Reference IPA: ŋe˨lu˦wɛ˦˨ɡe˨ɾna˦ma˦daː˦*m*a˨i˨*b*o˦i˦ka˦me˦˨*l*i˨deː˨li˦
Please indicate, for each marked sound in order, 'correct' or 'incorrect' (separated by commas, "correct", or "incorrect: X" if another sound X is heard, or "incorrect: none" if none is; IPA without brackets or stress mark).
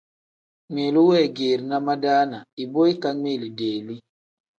incorrect: n, correct, correct